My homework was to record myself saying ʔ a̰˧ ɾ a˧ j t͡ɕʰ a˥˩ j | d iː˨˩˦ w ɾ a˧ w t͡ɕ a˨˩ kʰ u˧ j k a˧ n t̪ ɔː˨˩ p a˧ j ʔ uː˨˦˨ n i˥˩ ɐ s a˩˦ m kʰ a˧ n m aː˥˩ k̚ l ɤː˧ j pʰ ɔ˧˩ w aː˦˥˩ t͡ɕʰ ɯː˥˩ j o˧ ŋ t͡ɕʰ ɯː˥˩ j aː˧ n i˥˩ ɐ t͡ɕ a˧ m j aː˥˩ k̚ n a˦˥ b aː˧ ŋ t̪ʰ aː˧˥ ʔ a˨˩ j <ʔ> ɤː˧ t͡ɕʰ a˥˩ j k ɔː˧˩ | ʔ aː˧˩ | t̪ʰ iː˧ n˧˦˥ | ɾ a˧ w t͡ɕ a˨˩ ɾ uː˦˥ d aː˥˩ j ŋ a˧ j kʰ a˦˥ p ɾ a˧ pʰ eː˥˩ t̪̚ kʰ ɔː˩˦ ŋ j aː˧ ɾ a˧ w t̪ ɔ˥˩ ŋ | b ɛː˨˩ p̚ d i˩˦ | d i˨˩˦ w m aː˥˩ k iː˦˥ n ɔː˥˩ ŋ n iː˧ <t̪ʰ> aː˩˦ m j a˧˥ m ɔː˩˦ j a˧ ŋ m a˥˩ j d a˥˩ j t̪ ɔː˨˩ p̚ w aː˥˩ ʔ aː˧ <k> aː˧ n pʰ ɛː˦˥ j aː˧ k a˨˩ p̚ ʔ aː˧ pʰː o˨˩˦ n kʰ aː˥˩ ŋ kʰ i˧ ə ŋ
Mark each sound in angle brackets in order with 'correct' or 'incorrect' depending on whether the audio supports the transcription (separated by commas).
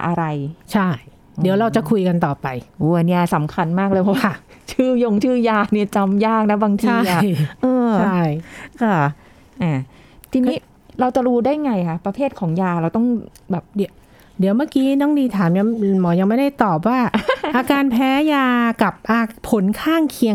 correct, correct, correct